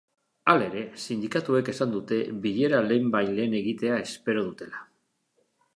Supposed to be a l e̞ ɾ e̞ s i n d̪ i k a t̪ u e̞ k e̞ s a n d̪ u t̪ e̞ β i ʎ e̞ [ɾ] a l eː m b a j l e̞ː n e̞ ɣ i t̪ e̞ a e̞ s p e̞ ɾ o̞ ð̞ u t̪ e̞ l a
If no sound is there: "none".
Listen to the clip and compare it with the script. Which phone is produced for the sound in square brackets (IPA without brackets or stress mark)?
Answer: ɾ